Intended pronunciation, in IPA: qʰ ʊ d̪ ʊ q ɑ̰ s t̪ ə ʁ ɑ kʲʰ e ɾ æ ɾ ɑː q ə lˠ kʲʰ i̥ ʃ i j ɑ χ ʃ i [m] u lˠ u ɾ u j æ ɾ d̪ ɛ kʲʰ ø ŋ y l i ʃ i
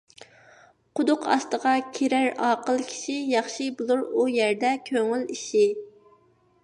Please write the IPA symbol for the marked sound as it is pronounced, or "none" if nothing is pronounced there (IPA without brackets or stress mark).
b